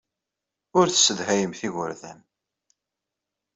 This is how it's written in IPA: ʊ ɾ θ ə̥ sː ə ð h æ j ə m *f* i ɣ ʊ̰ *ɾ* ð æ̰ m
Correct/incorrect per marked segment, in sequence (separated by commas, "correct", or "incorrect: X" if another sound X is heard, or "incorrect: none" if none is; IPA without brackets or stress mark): incorrect: θ, correct